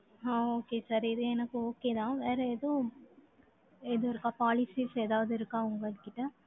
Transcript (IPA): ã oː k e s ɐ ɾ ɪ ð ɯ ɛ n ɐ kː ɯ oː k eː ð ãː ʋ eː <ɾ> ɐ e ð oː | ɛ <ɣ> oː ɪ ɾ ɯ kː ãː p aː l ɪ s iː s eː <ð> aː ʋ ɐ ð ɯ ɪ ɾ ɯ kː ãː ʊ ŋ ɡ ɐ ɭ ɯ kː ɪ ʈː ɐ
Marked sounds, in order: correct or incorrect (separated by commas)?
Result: correct, incorrect, correct